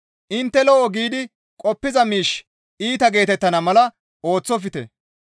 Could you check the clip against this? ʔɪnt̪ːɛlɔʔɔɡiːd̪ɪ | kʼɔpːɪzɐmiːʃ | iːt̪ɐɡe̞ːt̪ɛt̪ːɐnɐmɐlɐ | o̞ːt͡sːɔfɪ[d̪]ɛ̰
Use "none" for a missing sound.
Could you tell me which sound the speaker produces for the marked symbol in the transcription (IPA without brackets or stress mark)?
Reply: t̪